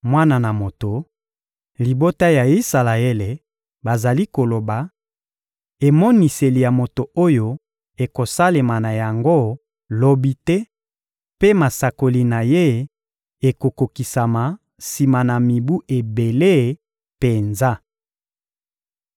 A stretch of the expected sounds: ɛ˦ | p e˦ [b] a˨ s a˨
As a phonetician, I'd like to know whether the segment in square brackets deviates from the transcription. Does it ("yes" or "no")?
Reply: yes